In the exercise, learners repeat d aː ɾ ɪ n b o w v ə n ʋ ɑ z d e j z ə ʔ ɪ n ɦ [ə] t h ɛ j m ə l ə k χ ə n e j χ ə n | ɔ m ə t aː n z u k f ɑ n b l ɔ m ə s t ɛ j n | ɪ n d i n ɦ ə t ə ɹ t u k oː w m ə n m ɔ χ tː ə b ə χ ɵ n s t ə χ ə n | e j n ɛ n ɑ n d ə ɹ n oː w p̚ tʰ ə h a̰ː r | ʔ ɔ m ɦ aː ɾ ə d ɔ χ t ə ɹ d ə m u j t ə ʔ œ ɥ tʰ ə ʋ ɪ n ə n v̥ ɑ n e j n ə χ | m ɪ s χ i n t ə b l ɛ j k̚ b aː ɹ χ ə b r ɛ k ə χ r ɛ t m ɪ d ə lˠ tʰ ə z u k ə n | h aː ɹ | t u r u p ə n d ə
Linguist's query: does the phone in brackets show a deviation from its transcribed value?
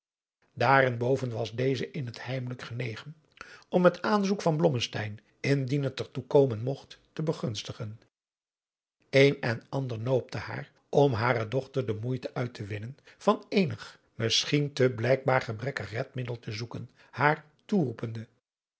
no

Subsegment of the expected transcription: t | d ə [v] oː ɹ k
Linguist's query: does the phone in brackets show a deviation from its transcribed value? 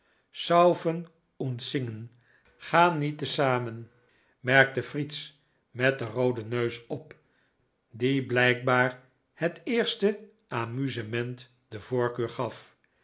no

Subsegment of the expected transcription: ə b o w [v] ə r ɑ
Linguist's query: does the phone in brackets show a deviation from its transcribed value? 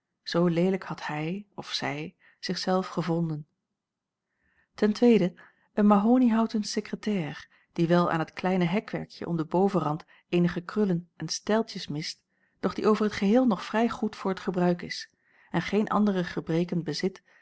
no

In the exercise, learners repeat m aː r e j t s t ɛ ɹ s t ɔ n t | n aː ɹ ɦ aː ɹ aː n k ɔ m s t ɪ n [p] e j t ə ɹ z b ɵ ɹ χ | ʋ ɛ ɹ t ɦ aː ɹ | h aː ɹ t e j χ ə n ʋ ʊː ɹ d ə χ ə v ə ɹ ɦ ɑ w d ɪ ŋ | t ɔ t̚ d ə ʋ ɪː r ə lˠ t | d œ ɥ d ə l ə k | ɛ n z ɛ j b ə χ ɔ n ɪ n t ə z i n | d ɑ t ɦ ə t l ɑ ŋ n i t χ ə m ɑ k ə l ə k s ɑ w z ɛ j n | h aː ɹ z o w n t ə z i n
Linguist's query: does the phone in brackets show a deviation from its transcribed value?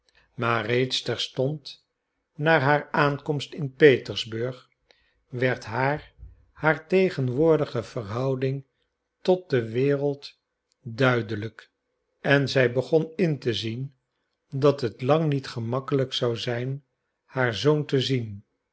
no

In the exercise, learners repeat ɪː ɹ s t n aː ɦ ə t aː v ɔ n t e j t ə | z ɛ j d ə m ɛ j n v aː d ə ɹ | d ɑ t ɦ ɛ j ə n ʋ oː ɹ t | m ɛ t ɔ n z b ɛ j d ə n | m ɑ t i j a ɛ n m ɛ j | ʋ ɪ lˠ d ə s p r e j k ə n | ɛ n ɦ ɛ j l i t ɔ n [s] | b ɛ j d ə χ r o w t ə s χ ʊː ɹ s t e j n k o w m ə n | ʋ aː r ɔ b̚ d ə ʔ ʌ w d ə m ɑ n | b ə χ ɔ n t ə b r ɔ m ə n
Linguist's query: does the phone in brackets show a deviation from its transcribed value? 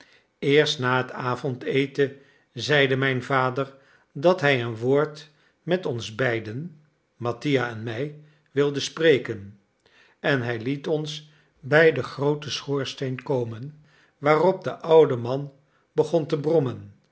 no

